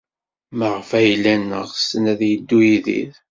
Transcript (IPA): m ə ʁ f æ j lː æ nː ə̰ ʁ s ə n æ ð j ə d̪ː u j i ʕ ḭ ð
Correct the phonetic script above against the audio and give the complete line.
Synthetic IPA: m ə ʁ f æ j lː æ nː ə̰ ʁ s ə n æ ð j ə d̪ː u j i ð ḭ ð